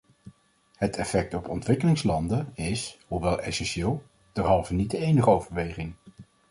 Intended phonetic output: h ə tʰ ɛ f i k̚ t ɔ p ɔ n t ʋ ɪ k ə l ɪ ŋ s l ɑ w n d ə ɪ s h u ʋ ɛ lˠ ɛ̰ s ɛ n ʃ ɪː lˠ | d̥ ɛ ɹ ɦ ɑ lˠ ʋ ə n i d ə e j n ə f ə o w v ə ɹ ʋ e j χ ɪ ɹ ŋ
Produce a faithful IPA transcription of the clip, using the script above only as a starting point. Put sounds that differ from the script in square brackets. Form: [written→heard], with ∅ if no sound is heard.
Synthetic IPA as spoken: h ə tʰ ɛ f [i→ɛ] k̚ t ɔ p ɔ n t ʋ ɪ k ə l ɪ ŋ s l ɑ [w→∅] n d ə ɪ s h u ʋ ɛ lˠ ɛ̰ s ɛ n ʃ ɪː lˠ | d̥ ɛ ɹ ɦ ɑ lˠ [ʋ→v] ə n i d ə e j n ə [f→χ] ə o w v ə ɹ ʋ e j χ ɪ [ɹ→∅] ŋ

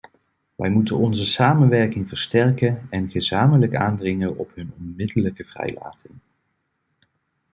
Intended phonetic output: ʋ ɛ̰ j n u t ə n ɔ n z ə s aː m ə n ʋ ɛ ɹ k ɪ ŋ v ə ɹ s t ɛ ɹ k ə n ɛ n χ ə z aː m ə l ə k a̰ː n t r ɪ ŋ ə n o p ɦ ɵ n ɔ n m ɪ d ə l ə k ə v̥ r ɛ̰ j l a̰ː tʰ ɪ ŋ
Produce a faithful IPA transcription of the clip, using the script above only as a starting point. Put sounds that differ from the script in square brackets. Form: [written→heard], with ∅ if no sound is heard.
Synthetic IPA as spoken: ʋ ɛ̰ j [n→m] u t ə n ɔ n z ə s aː m ə n ʋ ɛ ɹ k ɪ ŋ v ə ɹ s t ɛ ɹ k ə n ɛ n χ ə z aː m ə l ə k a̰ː n [t→d] r ɪ ŋ ə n [o→ɔ] p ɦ ɵ n ɔ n m ɪ d ə l ə k ə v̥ r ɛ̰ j l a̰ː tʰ ɪ ŋ

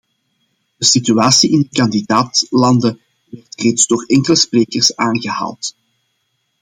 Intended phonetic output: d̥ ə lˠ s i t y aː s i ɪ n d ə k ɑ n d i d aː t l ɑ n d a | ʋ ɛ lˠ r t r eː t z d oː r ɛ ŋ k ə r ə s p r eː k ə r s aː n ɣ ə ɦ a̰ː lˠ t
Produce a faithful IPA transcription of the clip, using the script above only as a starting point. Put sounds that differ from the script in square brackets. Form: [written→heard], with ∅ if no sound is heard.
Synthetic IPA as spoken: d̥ ə [lˠ→∅] s i t y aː s i ɪ n d ə k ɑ n d i d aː t l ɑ n d [a→ə] | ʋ ɛ [lˠ→∅] r t r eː t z d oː r ɛ ŋ k ə [r→l] ə s p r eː k ə r s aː n ɣ ə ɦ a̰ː lˠ t

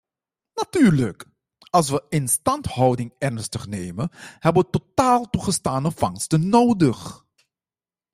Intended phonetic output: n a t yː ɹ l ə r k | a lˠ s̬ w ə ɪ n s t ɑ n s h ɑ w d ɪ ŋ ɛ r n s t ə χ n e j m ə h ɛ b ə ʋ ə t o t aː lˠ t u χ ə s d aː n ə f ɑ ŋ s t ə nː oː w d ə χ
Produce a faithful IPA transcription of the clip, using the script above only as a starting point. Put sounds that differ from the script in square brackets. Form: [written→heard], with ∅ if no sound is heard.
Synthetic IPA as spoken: n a t yː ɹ l ə [r→∅] k | [a→ɑ] lˠ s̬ [w→ʋ] ə ɪ n s t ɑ n [s→t] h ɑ w d ɪ ŋ ɛ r n s t ə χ n e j m ə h ɛ b ə ʋ ə t o t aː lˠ t u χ ə s [d→t] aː n ə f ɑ ŋ s t ə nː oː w d ə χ

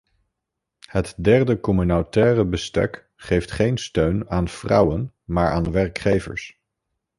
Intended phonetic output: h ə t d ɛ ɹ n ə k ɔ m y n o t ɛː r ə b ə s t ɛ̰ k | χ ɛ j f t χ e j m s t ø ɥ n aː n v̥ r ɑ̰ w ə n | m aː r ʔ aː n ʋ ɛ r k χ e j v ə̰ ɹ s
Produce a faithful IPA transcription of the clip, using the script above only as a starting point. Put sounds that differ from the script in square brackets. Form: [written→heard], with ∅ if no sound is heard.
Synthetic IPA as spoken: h ə t d ɛ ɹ [n→d] ə k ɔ m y n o t ɛː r ə b ə s t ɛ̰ k | χ [ɛ→e] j f t χ e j [m→n] s t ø ɥ n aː n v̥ r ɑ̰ w ə n | m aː [r→ɹ] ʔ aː n ʋ ɛ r k χ e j v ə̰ ɹ s

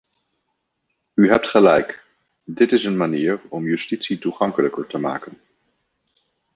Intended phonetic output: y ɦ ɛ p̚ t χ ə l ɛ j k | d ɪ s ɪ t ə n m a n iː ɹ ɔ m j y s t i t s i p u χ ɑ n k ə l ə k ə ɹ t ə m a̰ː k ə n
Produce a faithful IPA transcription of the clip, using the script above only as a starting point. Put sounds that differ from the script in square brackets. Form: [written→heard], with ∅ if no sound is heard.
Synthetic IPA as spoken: y ɦ ɛ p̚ t χ ə l ɛ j k | d ɪ [s→t] ɪ [t→s] ə n m a n iː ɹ ɔ m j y s t i t s i [p→t] u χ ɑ [n→ŋ] k ə l ə k ə ɹ t ə m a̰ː k ə n

